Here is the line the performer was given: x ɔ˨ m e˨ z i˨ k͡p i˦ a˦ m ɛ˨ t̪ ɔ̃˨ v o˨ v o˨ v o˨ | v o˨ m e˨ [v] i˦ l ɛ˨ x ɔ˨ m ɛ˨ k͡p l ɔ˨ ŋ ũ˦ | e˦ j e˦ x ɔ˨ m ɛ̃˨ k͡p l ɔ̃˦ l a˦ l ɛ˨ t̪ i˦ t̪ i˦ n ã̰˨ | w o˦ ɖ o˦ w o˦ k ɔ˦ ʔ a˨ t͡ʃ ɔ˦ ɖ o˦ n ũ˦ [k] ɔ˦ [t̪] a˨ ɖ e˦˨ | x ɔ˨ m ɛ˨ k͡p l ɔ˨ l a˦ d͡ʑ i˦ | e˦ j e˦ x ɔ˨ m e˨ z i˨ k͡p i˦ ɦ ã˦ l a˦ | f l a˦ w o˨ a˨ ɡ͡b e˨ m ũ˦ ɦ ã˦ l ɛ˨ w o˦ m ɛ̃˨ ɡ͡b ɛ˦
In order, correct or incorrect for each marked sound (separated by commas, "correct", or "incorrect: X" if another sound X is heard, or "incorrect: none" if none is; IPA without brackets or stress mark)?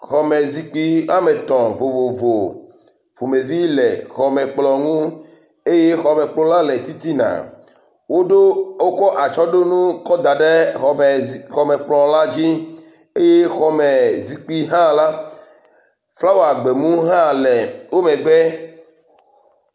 correct, correct, incorrect: d̪